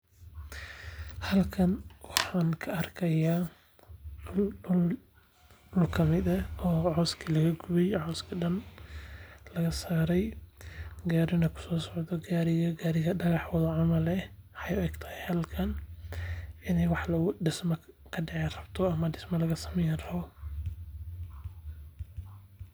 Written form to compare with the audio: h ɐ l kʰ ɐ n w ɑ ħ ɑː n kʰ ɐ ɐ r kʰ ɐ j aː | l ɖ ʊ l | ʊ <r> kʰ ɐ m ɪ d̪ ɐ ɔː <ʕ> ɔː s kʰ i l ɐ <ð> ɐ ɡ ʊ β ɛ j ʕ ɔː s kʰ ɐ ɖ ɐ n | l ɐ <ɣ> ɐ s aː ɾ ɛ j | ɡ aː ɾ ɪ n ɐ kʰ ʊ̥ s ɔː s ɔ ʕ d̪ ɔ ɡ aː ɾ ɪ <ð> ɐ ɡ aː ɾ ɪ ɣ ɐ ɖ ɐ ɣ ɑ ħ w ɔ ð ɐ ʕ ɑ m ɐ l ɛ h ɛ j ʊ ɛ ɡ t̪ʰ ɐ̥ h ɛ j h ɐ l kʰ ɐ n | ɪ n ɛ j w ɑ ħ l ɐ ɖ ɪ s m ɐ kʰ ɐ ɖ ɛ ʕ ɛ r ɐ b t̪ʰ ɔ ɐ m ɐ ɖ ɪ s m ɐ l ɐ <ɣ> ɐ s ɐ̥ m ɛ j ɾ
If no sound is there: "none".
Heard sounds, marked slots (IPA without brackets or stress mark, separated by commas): l, ʕ, ɣ, ɣ, ɣ, ɣ